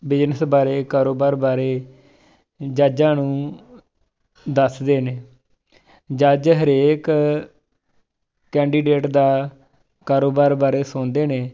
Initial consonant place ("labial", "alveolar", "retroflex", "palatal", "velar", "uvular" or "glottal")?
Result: labial